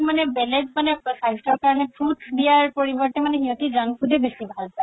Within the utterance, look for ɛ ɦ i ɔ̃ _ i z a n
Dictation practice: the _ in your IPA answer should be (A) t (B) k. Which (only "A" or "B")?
A